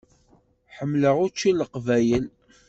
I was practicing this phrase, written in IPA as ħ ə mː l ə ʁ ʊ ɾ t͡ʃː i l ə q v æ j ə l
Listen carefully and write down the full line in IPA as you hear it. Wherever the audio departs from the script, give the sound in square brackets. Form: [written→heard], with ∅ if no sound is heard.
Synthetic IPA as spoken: ħ ə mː l ə ʁ ʊ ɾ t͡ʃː i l ə q v æ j ə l